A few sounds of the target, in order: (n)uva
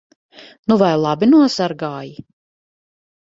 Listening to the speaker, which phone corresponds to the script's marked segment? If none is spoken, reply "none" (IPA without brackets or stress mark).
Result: n